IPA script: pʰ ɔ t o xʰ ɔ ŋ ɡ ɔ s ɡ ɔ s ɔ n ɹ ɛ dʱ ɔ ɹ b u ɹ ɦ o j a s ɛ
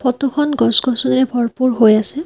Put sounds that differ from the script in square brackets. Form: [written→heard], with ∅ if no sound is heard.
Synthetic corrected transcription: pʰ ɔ t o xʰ ɔ [ŋ→n] ɡ ɔ s ɡ ɔ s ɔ n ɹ ɛ [dʱ→bʱ] ɔ ɹ [b→p] u ɹ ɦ o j a s ɛ